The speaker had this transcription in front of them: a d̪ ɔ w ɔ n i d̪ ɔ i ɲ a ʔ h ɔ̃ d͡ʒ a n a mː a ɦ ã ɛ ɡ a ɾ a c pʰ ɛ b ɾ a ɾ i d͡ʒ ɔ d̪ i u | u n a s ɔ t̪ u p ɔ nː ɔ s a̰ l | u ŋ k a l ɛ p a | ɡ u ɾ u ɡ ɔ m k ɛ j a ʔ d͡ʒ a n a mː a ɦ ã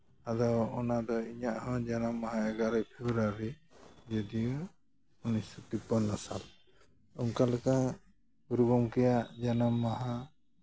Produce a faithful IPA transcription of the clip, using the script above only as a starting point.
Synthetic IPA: a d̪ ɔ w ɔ n a d̪ ɔ i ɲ a ʔ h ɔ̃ d͡ʒ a n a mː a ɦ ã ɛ ɡ a ɾ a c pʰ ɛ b ɾ a ɾ i d͡ʒ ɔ d̪ i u | u n i s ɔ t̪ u p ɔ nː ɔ s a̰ l | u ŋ k a l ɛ k a | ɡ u ɾ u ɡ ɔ m k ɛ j a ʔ d͡ʒ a n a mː a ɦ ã